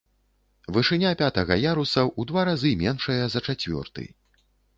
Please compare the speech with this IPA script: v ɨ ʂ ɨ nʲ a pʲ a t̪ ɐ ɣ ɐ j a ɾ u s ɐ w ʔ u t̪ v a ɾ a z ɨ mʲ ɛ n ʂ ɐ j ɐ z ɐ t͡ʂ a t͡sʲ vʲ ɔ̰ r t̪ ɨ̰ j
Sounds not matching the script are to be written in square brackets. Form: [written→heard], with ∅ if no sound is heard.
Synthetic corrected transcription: v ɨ ʂ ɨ nʲ a pʲ a t̪ ɐ ɣ ɐ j a ɾ u s ɐ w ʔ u [t̪→d̪] v a ɾ a z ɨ mʲ ɛ n ʂ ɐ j ɐ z ɐ t͡ʂ a t͡sʲ vʲ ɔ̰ r t̪ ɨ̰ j

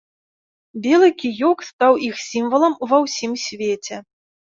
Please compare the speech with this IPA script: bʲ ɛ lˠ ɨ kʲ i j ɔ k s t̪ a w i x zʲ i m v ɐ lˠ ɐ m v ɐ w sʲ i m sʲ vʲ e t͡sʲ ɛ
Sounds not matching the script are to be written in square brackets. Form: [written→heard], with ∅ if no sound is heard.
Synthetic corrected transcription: bʲ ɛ lˠ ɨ kʲ i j ɔ k s t̪ a w i x [zʲ→sʲ] i m v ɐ lˠ ɐ m v ɐ w sʲ i m sʲ vʲ e t͡sʲ ɛ

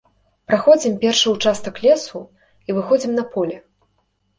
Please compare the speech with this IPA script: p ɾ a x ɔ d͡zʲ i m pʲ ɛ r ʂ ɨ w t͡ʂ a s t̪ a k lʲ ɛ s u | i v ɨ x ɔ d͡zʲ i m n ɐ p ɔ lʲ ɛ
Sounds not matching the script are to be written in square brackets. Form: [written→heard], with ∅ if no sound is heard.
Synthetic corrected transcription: p ɾ a x ɔ d͡zʲ i m pʲ ɛ r ʂ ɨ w t͡ʂ a s t̪ [a→ɐ] k lʲ ɛ s u | i v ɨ x ɔ d͡zʲ i m n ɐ p ɔ lʲ ɛ

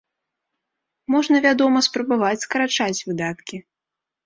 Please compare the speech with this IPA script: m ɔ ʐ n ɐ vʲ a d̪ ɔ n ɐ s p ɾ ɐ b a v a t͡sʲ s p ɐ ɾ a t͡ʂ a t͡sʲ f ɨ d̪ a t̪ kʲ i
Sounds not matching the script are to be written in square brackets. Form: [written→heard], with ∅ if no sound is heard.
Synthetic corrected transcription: m ɔ ʐ n ɐ vʲ a d̪ ɔ [n→m] ɐ s p ɾ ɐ b a v a t͡sʲ s [p→k] ɐ ɾ a t͡ʂ a t͡sʲ [f→v] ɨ d̪ a t̪ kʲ i

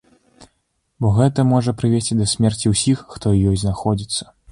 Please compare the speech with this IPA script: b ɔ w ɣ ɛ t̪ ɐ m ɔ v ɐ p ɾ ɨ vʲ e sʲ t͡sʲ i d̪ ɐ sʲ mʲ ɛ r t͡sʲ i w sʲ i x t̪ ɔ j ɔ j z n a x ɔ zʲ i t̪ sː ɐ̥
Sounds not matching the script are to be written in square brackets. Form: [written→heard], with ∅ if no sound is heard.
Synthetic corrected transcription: b ɔ [w→∅] ɣ ɛ t̪ ɐ m ɔ [v→ʐ] ɐ p ɾ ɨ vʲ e sʲ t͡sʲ i d̪ ɐ sʲ mʲ ɛ r t͡sʲ i w sʲ i [x→xː] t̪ ɔ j ɔ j z n a x ɔ [zʲ→d͡zʲ] i t̪ sː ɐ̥

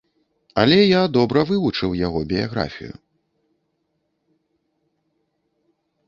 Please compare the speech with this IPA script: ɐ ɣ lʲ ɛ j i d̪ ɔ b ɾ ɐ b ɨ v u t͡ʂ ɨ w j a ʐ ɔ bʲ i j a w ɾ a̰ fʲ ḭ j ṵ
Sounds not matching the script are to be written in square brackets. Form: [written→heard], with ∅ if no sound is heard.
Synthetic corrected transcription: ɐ [ɣ→∅] lʲ ɛ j [i→a] d̪ ɔ b ɾ ɐ [b→v] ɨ v u t͡ʂ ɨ w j a [ʐ→ɣ] ɔ bʲ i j a [w→ɣ] ɾ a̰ fʲ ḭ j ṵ

